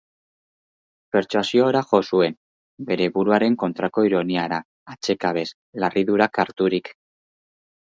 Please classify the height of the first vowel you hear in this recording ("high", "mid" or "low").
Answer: mid